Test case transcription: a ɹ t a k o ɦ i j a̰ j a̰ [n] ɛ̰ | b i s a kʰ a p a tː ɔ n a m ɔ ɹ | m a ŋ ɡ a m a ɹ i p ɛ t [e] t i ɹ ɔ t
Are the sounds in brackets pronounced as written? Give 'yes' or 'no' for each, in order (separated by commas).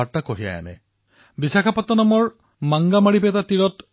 yes, no